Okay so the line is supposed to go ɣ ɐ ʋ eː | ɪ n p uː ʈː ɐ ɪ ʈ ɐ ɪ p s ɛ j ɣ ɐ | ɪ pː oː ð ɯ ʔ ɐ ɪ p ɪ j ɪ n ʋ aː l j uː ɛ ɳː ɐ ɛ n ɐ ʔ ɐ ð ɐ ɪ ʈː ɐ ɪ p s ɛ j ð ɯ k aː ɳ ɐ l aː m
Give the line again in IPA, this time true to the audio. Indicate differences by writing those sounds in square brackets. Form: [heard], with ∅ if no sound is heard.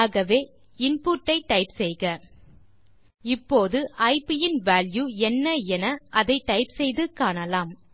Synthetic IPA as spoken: ɣ ɐ ʋ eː | ɪ n p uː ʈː ɐ ɪ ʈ ɐ ɪ p s ɛ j ɣ ɐ | ɪ pː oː ð ɯ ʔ ɐ ɪ p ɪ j ɪ n ʋ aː l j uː ɛ [nː] ɐ ɛ n ɐ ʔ ɐ ð ɐ ɪ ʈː ɐ ɪ p s ɛ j ð ɯ k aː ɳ ɐ l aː m